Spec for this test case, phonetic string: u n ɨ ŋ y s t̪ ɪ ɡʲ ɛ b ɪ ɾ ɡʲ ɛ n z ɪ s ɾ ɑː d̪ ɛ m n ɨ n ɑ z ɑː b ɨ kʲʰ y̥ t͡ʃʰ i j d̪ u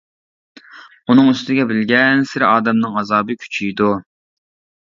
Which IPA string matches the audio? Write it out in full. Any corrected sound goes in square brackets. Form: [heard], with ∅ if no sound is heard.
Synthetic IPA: u n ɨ ŋ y s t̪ ɪ ɡʲ ɛ b ɪ [l] ɡʲ ɛ n [s] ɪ [∅] ɾ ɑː d̪ ɛ m n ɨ [ŋ] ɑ z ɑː b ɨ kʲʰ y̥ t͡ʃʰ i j d̪ u

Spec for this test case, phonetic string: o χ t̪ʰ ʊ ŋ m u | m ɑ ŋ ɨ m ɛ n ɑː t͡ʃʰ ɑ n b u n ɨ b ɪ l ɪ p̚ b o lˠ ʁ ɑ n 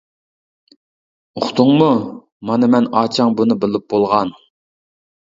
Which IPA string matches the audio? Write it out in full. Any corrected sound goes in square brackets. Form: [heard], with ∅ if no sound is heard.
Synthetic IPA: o χ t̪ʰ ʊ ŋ m u | m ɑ [n] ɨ m ɛ n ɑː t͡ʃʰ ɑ [ŋ] b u n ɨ b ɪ l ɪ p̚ b o lˠ ʁ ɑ n

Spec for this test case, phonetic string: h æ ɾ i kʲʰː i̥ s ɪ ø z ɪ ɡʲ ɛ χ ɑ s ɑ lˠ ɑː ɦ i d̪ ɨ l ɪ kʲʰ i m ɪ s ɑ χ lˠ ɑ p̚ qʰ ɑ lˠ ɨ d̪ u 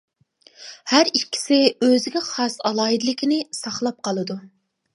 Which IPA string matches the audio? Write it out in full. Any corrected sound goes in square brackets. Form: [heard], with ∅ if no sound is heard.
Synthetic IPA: h æ ɾ i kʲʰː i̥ s ɪ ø z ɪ ɡʲ ɛ χ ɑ s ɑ lˠ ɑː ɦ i d̪ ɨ l ɪ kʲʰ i [n] ɪ s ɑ χ lˠ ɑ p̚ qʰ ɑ lˠ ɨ d̪ u

